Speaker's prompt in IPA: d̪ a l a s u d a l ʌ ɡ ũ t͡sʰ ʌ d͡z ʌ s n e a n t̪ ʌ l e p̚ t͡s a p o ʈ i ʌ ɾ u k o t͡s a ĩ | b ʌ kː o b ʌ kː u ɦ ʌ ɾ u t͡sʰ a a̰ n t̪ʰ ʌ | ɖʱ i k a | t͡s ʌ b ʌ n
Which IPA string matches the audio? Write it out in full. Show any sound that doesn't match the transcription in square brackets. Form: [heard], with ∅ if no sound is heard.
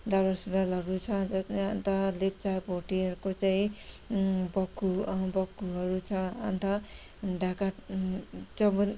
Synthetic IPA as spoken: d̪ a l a s u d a l ʌ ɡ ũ t͡sʰ ʌ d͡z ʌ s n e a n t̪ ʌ l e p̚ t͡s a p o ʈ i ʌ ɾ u k o t͡s a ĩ | b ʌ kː [u] b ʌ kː u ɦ ʌ ɾ u t͡sʰ [ʌ] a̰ n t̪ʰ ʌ | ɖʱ [a] k a | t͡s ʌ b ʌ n